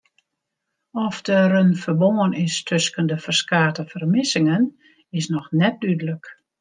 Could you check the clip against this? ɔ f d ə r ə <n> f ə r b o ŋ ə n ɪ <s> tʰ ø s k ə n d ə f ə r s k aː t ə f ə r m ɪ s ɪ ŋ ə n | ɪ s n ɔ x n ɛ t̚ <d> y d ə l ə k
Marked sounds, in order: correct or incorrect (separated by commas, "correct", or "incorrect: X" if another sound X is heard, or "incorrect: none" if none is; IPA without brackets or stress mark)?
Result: correct, correct, correct